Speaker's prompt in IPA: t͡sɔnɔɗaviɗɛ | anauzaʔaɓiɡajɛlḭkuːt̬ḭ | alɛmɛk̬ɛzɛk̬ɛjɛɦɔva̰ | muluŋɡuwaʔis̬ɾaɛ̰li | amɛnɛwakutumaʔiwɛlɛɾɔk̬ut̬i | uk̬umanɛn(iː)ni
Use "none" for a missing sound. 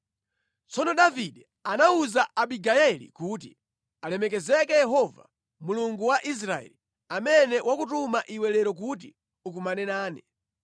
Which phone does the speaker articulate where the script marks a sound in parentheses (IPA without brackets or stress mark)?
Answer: aː